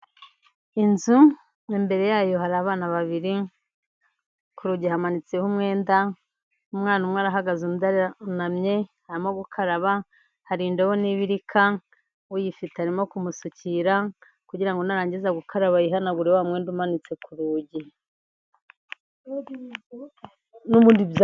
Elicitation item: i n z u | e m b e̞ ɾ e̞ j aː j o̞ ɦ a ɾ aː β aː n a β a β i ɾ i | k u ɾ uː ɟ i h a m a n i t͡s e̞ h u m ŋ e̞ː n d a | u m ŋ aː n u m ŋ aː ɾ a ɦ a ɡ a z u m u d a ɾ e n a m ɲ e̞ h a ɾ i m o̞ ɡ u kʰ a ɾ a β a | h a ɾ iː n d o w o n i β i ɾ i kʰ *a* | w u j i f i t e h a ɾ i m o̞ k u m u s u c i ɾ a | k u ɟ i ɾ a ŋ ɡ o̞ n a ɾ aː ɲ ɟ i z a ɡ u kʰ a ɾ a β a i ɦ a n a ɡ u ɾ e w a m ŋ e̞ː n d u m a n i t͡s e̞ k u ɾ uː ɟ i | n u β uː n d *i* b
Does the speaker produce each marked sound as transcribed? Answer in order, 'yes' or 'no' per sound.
yes, yes

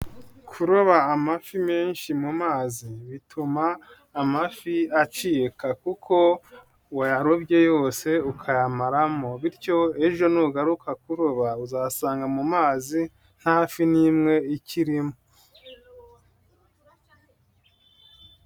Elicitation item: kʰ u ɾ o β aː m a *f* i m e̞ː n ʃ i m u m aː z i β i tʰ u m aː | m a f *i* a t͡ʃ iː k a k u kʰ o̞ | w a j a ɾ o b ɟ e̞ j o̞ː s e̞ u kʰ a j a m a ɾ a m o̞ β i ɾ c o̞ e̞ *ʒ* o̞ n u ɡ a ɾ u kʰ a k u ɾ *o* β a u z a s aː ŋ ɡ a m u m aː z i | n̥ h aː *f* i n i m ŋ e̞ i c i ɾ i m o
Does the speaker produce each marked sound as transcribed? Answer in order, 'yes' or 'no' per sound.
yes, yes, yes, yes, yes

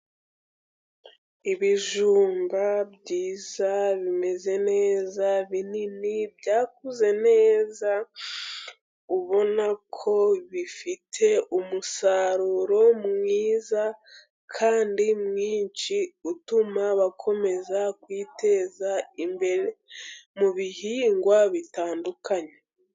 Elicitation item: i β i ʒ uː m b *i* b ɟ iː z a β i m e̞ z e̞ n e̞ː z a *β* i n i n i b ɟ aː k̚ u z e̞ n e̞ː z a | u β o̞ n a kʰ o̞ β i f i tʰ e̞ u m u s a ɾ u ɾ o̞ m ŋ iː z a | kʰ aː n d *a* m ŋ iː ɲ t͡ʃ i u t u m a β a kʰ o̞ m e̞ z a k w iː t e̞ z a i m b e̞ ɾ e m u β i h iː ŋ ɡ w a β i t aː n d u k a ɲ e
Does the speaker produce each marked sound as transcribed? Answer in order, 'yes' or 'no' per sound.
no, yes, no

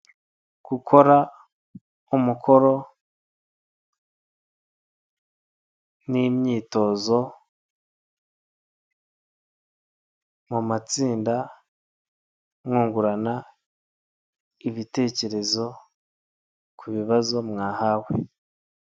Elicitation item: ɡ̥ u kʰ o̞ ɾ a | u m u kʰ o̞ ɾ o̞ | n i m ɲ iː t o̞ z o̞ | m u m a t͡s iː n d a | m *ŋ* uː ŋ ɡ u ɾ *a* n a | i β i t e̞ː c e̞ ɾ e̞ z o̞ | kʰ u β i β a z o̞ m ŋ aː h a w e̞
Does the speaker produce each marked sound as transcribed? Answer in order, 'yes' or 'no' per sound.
yes, yes

